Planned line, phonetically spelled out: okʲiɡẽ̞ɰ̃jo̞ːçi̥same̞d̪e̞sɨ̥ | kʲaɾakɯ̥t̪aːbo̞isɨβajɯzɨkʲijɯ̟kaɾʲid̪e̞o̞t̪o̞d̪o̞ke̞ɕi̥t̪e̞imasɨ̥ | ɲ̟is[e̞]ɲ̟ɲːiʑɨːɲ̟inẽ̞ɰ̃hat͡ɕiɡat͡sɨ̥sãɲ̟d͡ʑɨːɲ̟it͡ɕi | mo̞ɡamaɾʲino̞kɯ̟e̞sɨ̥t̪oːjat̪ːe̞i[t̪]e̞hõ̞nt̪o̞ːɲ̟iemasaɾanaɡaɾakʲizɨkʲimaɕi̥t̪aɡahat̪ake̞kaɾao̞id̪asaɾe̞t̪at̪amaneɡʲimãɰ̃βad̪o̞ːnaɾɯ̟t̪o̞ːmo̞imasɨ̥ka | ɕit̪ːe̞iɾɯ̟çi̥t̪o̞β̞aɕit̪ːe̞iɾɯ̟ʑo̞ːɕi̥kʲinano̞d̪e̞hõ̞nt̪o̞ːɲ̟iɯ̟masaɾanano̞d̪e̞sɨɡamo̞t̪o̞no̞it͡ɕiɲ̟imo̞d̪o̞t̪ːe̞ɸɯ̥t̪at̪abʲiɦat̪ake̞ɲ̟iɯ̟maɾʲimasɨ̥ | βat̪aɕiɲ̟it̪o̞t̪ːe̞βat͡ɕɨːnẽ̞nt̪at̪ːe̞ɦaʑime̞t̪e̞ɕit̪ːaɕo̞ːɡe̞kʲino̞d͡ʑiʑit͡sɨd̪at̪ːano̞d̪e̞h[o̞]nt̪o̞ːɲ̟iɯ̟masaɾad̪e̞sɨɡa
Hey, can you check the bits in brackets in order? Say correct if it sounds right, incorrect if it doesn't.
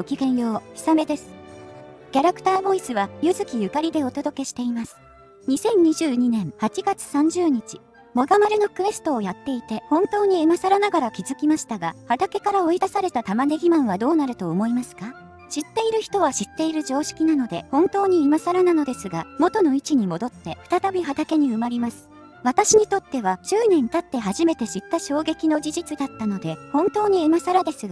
incorrect: ẽ̞, correct, incorrect: õ̞

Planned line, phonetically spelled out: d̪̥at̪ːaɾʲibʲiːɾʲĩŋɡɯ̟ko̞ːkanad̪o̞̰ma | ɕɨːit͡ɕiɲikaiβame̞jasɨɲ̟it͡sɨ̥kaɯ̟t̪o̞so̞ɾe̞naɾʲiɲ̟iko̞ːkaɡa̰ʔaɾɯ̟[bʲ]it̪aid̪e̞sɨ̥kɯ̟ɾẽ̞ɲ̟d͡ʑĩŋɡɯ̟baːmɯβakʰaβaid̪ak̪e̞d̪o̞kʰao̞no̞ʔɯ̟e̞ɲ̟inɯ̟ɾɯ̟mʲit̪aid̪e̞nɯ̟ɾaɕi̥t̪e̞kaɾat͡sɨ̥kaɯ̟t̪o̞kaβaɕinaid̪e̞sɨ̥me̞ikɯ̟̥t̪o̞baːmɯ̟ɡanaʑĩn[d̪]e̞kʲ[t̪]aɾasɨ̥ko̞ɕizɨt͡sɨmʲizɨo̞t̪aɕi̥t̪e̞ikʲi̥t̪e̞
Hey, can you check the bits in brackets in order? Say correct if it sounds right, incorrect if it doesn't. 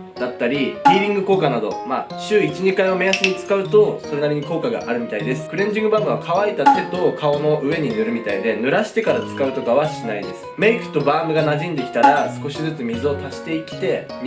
incorrect: mʲ, correct, correct

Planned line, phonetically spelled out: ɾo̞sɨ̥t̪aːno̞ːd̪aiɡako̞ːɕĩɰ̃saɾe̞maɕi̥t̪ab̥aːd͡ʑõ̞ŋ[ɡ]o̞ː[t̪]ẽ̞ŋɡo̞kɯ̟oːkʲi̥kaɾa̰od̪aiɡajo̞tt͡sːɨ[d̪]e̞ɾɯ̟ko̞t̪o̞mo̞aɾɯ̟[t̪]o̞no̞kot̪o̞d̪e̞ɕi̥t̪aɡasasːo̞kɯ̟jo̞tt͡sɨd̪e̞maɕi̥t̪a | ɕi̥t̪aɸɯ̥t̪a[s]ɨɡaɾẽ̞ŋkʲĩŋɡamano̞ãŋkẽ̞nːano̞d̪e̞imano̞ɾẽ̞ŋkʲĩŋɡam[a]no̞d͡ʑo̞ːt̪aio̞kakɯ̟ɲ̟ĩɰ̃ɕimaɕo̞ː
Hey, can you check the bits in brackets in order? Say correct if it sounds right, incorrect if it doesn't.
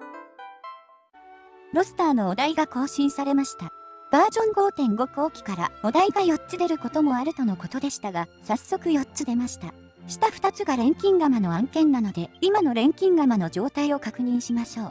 correct, correct, correct, correct, incorrect: t͡s, correct

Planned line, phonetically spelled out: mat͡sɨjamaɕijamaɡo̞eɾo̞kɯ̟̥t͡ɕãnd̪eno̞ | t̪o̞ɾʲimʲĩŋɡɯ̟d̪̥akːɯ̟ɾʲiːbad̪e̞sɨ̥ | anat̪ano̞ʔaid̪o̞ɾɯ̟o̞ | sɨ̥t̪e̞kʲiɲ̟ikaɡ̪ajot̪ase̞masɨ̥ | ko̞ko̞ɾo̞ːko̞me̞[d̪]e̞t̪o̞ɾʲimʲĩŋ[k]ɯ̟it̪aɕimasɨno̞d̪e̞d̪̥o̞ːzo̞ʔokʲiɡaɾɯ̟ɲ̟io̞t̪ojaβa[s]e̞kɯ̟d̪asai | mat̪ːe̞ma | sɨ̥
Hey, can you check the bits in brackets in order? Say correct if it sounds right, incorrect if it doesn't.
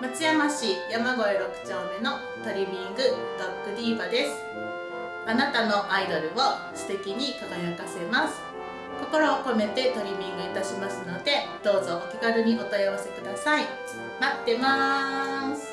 incorrect: t̪, incorrect: ɡ, correct

